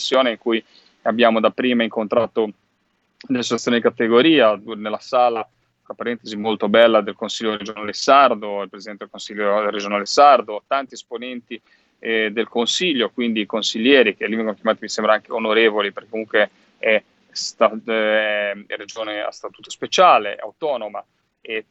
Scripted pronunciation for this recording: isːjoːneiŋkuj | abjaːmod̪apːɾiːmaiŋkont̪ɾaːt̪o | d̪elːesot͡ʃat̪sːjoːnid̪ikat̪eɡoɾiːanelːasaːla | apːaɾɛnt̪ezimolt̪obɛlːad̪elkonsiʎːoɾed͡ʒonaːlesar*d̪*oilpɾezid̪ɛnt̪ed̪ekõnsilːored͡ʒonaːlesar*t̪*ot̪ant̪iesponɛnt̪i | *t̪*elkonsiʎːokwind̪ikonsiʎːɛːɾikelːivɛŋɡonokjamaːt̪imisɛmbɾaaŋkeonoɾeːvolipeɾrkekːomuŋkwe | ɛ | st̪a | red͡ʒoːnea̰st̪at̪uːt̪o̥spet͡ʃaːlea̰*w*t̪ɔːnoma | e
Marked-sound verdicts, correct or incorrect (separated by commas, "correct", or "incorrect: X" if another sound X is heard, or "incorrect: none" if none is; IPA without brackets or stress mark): correct, incorrect: d̪, incorrect: d̪, correct